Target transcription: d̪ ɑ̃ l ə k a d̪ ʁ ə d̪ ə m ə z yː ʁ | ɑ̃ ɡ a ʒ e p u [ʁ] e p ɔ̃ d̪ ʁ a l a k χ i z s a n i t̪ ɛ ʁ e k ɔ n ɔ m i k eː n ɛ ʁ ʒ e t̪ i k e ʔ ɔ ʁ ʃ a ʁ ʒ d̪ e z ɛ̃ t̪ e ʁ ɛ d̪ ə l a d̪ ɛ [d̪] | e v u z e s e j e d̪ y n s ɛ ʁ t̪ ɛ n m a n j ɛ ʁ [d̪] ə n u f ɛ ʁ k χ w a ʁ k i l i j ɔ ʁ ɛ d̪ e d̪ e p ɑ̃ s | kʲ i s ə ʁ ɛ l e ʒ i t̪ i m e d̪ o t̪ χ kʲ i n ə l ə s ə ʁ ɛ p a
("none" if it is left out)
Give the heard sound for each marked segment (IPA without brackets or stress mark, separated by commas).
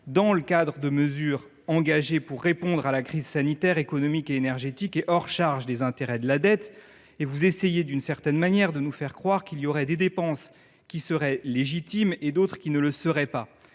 ʁː, t̪, d̪